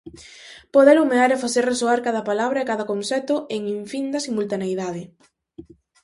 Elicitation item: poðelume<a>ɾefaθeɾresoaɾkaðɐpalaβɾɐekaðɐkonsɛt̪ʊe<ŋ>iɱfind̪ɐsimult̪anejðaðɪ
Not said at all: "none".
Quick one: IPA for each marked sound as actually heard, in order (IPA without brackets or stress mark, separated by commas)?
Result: a, ŋ